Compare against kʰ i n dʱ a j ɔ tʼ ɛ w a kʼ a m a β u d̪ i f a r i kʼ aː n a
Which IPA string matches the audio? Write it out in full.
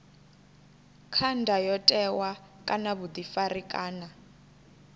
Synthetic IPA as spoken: kʰ a n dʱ a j ɔ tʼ ɛ w a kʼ a n a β u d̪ i f a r i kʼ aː n a